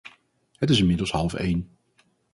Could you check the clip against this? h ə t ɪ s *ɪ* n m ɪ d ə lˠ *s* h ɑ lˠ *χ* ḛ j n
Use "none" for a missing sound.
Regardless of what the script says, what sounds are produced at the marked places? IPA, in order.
ɪ, s, f

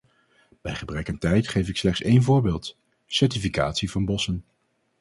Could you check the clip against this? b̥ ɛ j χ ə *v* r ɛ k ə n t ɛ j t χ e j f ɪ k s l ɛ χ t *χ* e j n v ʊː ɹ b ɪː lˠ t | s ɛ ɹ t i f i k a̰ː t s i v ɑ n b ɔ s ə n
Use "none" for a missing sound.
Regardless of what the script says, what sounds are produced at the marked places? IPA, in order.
b, s

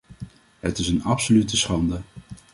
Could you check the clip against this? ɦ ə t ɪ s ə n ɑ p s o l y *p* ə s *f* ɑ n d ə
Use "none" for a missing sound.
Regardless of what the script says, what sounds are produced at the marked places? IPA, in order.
t, χ

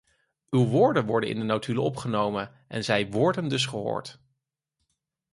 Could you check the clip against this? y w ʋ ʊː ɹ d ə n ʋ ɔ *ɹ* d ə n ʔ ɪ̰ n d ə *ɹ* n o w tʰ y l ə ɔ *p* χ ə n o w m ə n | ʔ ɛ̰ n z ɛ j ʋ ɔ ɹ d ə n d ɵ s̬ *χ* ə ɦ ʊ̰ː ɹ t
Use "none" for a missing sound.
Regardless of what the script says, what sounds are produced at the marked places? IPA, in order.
ɹ, none, p, χ

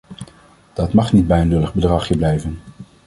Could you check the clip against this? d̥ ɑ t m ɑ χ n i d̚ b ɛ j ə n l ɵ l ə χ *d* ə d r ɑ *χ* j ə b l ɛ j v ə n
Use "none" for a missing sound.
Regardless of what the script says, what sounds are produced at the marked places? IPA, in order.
b, χ

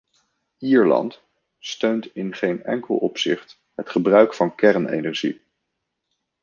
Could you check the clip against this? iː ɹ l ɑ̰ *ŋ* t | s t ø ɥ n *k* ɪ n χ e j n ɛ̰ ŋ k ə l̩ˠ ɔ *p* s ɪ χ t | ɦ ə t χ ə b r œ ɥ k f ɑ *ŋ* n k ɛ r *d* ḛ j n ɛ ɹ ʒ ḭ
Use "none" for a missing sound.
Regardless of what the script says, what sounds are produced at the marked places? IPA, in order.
n, t, p, none, n

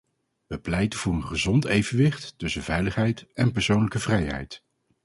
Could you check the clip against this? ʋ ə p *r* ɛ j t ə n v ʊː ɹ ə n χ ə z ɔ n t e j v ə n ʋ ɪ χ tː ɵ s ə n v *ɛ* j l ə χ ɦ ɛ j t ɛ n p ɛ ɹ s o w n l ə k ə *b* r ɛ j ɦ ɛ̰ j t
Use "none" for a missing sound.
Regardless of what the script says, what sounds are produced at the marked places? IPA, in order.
l, ɛ, v

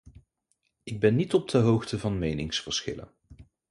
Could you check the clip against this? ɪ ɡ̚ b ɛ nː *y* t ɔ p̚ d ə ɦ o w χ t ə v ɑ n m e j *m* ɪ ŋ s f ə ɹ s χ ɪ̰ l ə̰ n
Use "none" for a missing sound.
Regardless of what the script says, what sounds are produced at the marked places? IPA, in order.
i, n

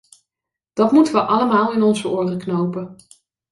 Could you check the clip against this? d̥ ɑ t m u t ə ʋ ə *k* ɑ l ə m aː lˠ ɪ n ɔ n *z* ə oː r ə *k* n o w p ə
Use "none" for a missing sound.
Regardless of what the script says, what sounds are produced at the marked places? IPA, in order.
ʔ, z, k

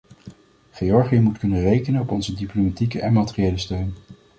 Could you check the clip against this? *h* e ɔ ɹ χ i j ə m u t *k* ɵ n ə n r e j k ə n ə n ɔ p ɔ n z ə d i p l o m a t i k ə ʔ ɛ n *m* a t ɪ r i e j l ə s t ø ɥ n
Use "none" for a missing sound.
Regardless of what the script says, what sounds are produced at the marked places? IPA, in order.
χ, k, m

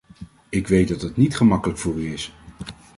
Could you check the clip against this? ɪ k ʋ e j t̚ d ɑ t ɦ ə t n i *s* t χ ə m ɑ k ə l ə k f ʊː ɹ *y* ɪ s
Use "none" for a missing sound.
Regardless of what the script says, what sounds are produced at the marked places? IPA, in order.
none, y

